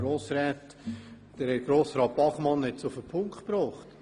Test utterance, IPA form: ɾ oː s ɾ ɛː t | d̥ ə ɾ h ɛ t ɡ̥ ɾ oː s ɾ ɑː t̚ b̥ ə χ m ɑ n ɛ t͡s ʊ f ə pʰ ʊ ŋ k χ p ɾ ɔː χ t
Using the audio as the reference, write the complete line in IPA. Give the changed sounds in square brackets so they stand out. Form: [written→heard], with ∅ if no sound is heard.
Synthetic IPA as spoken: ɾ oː s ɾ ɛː t | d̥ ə ɾ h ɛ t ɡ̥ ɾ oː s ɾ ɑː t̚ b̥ [ə→ɑ] χ m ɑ n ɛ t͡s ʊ f ə pʰ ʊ ŋ k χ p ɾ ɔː χ t